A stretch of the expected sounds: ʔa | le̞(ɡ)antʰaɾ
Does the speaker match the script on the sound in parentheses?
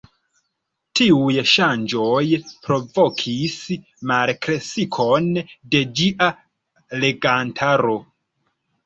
yes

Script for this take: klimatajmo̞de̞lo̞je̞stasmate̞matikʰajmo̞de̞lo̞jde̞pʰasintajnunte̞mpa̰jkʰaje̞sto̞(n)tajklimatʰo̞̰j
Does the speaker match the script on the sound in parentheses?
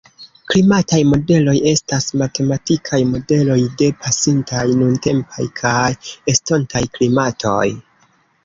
yes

